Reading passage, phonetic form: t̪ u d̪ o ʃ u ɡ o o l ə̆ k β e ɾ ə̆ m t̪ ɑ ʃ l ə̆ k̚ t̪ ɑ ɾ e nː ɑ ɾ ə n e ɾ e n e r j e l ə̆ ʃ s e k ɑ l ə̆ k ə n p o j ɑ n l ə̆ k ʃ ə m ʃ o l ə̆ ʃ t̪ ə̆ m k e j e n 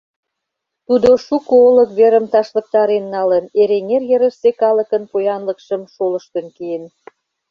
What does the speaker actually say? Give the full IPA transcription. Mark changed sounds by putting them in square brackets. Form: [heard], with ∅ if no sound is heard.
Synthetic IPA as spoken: t̪ u d̪ o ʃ u [k] o o l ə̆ k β e ɾ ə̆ m t̪ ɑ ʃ l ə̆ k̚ t̪ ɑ ɾ e nː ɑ [l] ə n e ɾ e [ŋ] e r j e [ɾ] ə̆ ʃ s e k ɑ l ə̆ k ə n p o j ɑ n l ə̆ k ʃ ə m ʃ o l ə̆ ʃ t̪ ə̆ [n] k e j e n